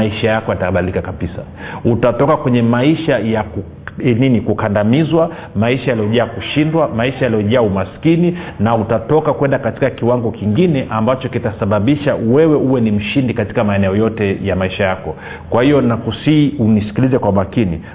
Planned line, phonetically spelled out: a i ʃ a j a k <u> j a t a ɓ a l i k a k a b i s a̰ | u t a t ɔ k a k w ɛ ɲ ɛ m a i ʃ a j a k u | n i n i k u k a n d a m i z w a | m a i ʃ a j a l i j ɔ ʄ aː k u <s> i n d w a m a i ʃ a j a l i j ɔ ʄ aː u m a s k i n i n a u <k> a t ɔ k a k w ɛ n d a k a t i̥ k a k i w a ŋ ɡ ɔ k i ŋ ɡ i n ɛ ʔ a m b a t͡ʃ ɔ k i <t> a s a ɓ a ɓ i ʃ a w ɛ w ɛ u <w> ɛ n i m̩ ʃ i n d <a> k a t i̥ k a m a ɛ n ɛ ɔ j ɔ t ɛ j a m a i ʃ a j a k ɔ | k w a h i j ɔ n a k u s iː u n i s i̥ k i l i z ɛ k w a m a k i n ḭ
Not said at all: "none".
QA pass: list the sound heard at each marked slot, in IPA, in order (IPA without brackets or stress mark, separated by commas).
ɔ, ʃ, t, t, w, i